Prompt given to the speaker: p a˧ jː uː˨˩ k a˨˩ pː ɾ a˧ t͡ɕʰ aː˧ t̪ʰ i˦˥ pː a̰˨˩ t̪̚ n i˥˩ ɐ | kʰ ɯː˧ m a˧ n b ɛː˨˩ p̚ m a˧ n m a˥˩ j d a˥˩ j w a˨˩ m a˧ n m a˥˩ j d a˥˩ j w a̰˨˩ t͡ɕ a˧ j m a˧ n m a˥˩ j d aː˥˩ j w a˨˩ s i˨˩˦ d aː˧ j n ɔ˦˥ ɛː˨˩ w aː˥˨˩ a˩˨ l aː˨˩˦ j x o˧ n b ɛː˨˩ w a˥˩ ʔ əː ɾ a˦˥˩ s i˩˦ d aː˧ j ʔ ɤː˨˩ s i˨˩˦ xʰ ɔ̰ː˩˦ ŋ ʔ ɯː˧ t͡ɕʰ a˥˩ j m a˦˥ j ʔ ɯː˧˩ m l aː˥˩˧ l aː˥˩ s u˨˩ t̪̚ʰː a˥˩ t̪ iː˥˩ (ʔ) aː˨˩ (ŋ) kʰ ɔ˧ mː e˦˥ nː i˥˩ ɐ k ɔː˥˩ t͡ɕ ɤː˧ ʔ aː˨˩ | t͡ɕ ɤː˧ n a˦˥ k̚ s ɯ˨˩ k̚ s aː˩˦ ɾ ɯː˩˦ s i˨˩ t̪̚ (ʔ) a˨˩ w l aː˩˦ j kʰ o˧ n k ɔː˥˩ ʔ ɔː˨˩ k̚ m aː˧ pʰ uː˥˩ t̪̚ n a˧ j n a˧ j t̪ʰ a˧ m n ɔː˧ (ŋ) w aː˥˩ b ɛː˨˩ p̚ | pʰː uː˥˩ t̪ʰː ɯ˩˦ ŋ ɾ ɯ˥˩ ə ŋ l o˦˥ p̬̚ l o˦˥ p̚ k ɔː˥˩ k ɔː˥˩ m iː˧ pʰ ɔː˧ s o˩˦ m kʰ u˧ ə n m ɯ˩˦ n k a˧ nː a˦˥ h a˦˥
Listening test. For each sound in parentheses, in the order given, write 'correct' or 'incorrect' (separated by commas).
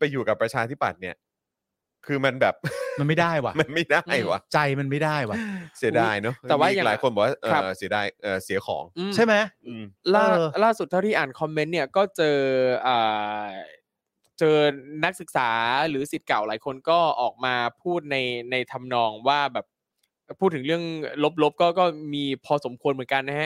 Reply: correct, incorrect, incorrect, correct